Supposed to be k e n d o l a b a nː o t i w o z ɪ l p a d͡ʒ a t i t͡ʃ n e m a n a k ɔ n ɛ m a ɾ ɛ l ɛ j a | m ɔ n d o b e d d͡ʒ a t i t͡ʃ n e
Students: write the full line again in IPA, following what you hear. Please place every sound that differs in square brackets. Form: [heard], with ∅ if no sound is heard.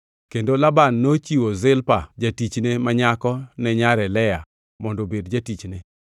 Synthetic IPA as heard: k e n d o l a b a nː o [t͡ʃ] i w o z ɪ l p a d͡ʒ a t i t͡ʃ n e m a [ɲ] a k ɔ n ɛ [ɲ] a ɾ ɛ l ɛ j a | m ɔ n d o b e d d͡ʒ a t i t͡ʃ n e